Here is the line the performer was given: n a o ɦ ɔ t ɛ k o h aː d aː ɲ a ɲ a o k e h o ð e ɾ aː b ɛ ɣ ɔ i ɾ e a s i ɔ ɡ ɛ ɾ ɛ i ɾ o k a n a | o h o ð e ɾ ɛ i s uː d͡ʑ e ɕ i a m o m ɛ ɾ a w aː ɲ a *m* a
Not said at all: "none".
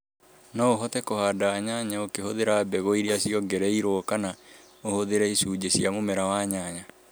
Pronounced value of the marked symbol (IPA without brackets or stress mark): ɲ